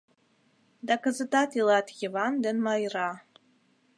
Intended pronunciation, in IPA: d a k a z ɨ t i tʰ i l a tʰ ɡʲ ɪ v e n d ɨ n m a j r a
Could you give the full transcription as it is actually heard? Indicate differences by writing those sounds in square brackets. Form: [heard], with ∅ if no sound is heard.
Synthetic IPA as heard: d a k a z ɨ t [a] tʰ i l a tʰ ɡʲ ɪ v [a] n d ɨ n m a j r a